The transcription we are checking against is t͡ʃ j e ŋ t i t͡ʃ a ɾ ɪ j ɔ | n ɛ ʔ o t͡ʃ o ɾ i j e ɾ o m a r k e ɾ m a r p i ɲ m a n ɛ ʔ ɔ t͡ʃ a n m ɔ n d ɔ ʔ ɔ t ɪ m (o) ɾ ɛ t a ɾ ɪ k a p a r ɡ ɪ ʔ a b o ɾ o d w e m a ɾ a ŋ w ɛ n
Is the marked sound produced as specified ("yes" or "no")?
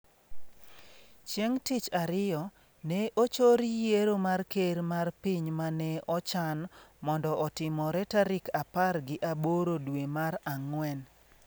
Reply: no